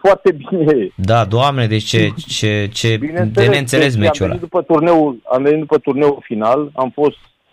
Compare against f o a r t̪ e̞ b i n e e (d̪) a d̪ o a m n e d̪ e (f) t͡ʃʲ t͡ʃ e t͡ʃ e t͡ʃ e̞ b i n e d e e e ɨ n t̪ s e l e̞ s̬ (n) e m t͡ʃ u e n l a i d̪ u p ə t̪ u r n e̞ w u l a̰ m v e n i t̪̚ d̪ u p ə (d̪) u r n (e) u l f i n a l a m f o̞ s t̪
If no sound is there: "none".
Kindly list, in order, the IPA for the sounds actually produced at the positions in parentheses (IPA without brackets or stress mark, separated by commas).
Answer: d̪, none, m, t̪, e